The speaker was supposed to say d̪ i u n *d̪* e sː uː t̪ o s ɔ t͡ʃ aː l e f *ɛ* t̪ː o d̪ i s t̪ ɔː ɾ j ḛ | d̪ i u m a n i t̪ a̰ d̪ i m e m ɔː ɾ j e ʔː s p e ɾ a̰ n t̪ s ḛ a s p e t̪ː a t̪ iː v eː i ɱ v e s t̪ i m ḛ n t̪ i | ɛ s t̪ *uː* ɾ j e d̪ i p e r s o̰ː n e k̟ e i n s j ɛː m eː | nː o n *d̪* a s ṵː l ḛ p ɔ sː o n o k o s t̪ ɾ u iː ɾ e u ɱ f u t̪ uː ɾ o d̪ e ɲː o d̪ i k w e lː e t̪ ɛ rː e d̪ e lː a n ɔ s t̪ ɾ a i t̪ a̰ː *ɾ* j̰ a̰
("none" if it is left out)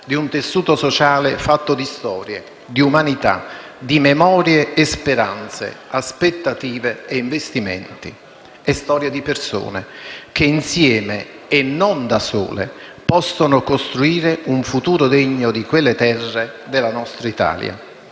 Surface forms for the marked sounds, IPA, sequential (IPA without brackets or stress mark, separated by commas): t̪, a, ɔː, d̪, l